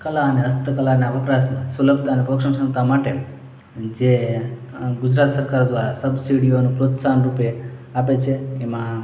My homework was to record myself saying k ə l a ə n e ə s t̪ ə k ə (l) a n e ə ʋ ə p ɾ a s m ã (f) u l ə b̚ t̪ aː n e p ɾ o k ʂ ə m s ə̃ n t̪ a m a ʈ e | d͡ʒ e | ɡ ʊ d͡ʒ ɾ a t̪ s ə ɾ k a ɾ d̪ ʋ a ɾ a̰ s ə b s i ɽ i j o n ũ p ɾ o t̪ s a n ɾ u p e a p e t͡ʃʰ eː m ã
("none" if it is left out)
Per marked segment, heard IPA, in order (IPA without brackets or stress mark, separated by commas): l, s